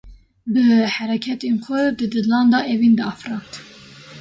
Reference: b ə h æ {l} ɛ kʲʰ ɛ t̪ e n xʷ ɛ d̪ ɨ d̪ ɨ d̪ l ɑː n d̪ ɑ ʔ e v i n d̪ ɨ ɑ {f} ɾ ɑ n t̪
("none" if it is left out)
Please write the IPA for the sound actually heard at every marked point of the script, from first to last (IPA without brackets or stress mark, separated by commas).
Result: ɾ, f